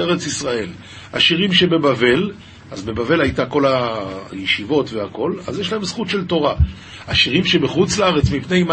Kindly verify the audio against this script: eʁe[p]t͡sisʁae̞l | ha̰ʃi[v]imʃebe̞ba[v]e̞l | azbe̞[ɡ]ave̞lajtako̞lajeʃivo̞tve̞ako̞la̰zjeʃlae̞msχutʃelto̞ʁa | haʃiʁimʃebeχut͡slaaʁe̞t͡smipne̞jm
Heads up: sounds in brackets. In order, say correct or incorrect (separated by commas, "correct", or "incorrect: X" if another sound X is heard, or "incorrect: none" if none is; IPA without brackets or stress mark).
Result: incorrect: none, incorrect: ʁ, correct, incorrect: b